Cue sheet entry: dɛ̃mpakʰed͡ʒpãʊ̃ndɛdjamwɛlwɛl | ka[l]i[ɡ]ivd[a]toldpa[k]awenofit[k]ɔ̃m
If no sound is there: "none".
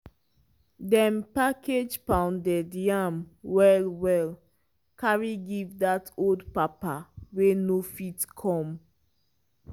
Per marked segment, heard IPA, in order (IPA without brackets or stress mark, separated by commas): ɹ, ɡ, a, p, kʰ